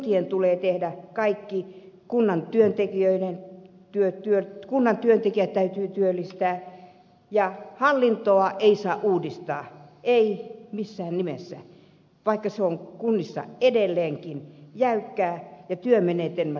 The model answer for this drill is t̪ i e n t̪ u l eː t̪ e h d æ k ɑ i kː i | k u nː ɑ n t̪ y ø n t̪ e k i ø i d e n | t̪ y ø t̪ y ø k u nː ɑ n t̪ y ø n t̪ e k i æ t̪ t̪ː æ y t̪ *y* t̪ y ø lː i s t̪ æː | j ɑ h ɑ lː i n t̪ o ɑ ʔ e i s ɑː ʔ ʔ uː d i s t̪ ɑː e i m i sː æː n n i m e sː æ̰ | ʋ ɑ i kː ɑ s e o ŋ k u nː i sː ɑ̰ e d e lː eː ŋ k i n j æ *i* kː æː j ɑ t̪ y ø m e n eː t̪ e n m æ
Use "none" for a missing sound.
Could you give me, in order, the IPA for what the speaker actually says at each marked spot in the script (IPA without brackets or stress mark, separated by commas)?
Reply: yː, y